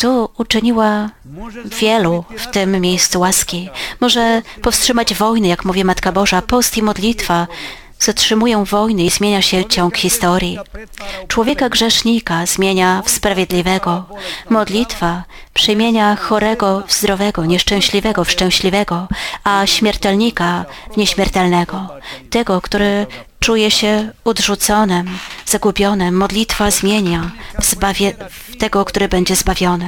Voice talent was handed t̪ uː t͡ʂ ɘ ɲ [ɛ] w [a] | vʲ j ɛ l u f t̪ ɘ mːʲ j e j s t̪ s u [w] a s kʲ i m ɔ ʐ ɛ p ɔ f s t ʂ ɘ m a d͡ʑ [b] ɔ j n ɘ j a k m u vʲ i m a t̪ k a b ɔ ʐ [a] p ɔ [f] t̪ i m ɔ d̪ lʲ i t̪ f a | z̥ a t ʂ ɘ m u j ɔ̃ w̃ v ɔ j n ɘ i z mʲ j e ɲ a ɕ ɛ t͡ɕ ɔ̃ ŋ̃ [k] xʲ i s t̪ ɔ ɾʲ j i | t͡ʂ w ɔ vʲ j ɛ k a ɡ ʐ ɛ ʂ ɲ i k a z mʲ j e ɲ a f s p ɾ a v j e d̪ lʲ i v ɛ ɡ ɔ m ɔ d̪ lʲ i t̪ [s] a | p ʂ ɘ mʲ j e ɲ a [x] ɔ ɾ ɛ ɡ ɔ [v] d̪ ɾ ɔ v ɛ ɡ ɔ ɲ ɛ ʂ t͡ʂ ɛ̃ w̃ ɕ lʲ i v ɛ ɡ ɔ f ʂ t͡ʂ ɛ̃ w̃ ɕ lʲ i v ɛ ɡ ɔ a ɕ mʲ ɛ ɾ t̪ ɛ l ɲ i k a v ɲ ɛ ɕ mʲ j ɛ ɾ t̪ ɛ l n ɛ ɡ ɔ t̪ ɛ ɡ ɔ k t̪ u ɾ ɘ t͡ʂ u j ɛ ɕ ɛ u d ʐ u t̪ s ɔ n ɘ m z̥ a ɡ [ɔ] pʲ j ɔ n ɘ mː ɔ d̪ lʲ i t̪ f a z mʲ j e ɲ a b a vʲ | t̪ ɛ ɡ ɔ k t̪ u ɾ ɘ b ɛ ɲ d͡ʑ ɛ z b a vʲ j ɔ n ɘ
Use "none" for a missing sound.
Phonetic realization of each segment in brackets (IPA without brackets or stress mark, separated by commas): i, a, w, v, a, s, k, f, x, z, u